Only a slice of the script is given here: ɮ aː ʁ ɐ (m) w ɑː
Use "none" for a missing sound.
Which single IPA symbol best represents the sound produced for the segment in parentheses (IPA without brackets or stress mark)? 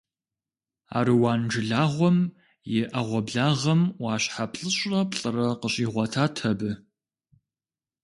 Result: m